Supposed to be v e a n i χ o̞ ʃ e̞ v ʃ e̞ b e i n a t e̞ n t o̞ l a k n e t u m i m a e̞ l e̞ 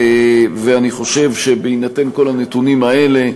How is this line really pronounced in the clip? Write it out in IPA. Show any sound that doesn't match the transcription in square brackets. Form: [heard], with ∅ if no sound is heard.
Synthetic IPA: v e a n i χ o̞ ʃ e̞ v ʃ e̞ b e i n a t e̞ n [k] o̞ l a [∅] n e t u [n] i m a e̞ l e̞